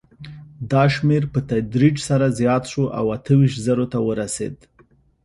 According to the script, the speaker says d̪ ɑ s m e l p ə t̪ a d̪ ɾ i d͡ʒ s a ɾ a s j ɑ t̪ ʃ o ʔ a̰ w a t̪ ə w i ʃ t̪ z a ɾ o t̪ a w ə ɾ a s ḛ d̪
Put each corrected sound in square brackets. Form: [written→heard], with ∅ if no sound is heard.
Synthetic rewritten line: d̪ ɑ [s→ʃ] m e [l→ɾ] p ə t̪ a d̪ ɾ i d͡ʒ s a ɾ a [s→z] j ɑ t̪ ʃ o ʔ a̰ w a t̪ ə w i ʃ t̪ z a ɾ o t̪ a w ə ɾ a s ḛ d̪